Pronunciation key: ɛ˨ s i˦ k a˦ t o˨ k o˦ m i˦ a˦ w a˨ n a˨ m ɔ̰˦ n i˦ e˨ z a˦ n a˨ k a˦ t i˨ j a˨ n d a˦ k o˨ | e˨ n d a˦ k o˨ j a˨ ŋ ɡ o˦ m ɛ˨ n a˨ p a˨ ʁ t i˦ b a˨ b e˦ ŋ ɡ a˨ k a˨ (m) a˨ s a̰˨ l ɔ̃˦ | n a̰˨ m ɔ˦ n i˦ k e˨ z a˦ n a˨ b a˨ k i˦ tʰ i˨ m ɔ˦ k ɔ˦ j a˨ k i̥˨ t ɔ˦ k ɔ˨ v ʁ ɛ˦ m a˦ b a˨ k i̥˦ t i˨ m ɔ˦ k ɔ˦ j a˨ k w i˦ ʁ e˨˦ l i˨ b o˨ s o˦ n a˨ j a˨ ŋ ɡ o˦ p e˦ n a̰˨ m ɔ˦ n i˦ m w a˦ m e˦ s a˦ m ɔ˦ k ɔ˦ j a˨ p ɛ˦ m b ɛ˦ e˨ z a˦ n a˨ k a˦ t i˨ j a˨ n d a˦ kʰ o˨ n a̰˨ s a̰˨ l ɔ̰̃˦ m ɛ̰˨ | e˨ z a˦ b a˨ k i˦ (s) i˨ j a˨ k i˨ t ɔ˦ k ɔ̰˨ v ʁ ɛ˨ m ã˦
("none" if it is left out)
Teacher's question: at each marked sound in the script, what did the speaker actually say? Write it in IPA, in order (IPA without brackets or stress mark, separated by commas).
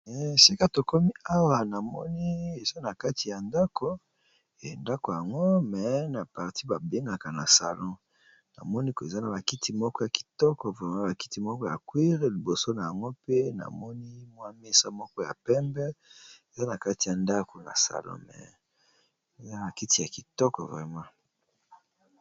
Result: n, t